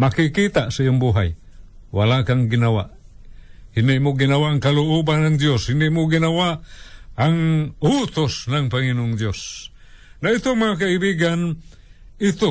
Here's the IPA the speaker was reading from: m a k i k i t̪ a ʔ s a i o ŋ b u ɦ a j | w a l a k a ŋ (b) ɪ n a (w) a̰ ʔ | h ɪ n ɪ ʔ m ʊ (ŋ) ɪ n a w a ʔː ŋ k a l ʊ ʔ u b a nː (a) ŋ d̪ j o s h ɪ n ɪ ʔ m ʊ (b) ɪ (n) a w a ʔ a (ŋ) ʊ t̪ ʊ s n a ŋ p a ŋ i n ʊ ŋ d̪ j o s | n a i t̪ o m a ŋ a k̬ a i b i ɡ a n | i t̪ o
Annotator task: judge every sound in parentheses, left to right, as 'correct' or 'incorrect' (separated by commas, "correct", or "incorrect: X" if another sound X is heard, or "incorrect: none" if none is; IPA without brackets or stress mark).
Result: incorrect: ɡ, correct, incorrect: ɡ, correct, incorrect: ɡ, correct, correct